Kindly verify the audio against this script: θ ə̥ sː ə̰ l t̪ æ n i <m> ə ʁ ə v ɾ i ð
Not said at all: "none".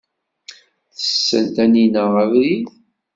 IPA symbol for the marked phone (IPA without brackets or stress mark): n